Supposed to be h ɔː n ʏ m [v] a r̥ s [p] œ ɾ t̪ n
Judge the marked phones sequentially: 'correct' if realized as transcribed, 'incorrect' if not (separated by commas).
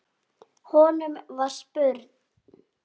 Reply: correct, correct